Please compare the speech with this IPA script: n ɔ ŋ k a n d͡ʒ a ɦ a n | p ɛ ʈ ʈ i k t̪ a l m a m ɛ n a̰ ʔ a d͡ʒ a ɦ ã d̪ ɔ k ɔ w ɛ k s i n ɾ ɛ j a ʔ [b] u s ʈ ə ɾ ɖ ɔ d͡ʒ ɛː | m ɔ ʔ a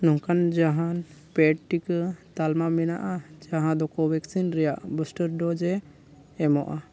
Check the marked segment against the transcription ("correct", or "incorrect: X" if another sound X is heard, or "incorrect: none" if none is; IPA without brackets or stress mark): correct